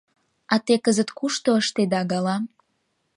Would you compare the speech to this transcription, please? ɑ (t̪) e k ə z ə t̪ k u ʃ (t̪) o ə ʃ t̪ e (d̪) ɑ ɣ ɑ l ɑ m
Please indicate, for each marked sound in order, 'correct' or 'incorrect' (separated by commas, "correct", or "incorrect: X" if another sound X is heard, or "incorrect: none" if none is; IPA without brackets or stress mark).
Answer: correct, correct, correct